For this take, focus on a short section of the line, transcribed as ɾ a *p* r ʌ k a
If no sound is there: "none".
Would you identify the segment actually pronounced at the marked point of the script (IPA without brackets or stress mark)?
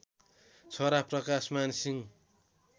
p